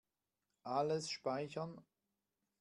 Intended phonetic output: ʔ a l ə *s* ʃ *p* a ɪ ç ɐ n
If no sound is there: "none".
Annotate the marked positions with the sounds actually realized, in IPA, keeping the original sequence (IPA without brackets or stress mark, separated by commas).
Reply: s, p